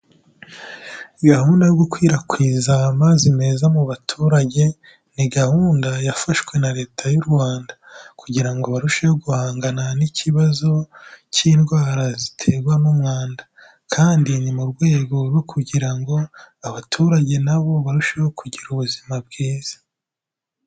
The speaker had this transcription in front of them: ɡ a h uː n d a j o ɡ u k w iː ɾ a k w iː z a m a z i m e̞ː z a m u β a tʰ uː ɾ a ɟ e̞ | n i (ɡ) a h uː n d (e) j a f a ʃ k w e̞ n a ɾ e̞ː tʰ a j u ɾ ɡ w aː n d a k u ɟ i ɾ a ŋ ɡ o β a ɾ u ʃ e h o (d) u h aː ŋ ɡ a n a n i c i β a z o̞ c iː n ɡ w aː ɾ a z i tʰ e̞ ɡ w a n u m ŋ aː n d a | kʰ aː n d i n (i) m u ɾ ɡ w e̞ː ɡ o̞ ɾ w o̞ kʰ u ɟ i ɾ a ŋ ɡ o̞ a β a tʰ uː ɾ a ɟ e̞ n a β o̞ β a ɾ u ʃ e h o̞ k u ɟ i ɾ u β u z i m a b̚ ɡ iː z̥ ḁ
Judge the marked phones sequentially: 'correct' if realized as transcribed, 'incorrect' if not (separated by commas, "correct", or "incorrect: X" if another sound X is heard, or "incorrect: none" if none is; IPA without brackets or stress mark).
correct, incorrect: a, incorrect: ɡ, correct